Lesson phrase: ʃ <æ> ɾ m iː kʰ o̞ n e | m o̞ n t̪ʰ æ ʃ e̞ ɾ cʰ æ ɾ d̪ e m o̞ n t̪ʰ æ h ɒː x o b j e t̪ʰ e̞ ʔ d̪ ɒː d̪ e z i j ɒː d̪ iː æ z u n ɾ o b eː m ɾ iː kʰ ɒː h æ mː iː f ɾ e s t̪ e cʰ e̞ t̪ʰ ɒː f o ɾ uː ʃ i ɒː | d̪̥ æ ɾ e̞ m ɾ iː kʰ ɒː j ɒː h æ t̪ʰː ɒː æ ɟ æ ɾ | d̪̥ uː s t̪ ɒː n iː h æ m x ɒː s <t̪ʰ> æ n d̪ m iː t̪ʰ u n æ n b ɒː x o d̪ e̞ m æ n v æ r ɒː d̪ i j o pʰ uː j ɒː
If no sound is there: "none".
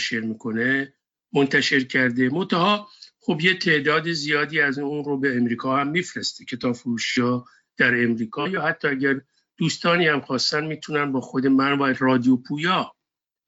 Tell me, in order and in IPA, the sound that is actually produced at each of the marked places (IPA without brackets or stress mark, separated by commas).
e, t̪